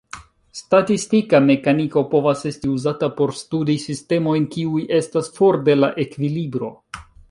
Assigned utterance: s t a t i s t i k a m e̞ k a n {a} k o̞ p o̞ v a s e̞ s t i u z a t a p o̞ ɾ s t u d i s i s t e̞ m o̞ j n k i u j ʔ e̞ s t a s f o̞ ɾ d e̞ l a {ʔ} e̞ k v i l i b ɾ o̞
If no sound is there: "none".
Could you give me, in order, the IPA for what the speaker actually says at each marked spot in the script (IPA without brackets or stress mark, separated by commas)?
i, ʔ